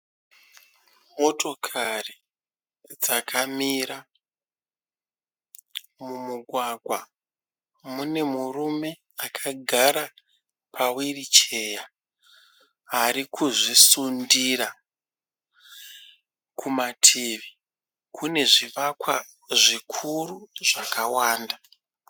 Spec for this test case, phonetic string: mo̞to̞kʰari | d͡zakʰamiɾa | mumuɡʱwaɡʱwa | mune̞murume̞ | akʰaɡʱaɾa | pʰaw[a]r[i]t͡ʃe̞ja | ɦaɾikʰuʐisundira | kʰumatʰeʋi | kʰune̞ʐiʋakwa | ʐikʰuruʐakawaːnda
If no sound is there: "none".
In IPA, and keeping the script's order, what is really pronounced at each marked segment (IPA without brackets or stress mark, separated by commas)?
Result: i, i